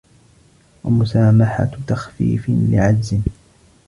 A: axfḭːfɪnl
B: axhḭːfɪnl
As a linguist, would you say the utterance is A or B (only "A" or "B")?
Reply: A